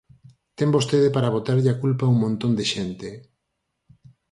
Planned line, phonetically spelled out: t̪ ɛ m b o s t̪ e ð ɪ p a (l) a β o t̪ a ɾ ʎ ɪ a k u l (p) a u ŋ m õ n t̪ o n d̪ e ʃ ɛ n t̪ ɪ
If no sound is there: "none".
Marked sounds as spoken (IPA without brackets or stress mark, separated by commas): ɾ, p